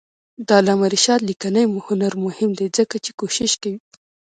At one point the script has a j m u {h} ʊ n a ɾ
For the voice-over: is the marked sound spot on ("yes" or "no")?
yes